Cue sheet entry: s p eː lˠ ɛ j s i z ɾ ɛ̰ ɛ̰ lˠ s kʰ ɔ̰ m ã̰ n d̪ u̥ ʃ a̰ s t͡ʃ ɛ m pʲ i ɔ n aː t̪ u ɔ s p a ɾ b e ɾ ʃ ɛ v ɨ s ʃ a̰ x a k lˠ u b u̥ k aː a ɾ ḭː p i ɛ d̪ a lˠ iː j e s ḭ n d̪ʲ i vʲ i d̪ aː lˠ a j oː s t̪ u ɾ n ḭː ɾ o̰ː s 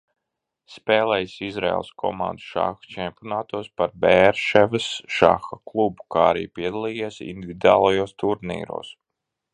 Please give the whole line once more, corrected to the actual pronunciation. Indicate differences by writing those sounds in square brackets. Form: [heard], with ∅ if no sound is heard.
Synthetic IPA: s p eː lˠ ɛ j s i z ɾ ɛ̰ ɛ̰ lˠ s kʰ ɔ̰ m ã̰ n d̪ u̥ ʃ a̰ [x] t͡ʃ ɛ m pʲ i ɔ n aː t̪ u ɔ s p a ɾ b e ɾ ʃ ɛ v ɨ s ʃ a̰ x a k lˠ u b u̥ k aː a ɾ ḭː p i ɛ d̪ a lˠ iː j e s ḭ n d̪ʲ i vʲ i d̪ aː lˠ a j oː s t̪ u ɾ n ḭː ɾ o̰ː s